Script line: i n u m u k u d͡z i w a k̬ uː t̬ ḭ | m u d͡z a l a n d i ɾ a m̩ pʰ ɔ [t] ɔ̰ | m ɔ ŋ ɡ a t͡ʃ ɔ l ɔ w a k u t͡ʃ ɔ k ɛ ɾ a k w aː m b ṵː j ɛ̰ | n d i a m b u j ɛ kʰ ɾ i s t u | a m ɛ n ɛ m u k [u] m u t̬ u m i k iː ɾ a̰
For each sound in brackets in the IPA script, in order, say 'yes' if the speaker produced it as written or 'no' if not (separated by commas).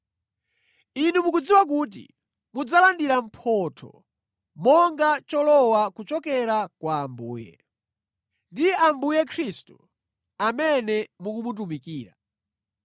no, yes